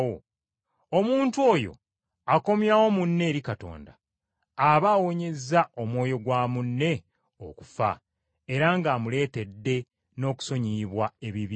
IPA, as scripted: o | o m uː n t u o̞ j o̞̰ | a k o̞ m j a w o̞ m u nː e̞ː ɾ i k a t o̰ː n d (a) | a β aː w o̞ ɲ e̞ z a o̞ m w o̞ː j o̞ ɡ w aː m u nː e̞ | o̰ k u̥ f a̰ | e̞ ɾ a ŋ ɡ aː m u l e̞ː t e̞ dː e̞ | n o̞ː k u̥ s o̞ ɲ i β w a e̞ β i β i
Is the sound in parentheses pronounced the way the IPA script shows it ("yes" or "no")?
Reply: yes